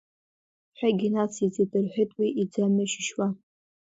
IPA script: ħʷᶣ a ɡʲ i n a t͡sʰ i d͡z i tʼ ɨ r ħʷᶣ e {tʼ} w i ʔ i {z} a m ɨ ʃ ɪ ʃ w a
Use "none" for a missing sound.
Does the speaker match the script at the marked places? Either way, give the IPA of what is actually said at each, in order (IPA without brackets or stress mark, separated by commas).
tʼ, d͡z